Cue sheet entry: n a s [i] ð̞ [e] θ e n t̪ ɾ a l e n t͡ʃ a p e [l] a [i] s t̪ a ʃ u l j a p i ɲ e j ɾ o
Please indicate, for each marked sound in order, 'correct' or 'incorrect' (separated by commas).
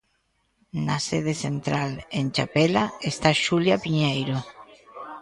incorrect, correct, correct, incorrect